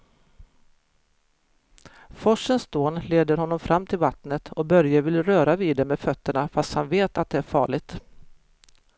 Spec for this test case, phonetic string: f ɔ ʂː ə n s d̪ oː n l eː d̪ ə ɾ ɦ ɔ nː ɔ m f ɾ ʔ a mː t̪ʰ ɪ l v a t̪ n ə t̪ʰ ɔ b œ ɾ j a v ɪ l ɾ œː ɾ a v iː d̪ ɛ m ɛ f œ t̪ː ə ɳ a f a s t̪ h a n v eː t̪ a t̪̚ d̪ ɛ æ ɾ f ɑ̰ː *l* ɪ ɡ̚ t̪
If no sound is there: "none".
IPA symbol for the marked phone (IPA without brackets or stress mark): ɭ